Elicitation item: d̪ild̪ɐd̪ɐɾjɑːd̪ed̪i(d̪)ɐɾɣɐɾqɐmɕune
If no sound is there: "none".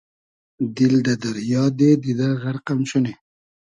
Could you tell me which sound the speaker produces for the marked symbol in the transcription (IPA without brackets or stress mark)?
d̪